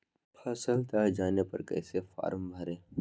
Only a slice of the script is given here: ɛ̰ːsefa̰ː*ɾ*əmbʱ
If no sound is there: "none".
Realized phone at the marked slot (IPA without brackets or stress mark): ɾ